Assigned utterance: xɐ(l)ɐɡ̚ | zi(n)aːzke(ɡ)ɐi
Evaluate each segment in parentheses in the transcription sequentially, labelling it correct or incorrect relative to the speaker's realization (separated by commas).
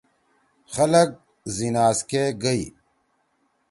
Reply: correct, correct, correct